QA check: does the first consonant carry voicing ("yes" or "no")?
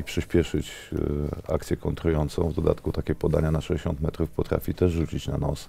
no